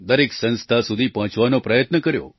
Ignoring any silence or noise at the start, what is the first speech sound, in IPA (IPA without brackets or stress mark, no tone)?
d̪